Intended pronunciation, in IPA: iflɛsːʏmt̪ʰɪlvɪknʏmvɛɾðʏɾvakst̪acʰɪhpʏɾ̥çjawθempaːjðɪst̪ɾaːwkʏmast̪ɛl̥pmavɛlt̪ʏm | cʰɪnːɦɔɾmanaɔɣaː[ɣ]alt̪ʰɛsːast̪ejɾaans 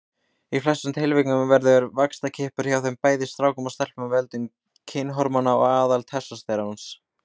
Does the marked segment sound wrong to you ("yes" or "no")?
yes